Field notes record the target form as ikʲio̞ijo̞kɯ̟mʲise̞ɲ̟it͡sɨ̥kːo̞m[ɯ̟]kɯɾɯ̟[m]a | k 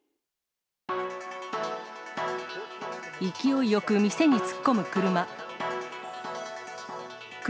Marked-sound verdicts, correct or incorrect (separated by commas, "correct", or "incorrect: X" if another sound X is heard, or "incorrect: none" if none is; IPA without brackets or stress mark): correct, correct